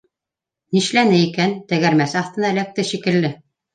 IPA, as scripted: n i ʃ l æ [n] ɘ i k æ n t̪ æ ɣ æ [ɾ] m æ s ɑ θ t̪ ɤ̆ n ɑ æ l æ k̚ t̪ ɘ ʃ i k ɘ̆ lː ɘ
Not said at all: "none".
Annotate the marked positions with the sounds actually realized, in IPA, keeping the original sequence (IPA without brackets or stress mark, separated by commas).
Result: n, ɾ